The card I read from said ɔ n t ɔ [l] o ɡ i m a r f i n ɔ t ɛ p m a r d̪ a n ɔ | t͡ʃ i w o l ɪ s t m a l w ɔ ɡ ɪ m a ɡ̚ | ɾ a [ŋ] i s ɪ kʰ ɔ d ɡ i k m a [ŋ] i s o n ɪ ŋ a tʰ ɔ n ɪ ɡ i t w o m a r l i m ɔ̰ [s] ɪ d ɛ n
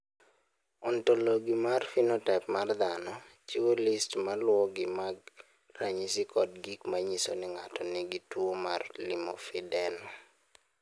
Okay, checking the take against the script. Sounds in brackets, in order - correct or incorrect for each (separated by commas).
correct, incorrect, incorrect, incorrect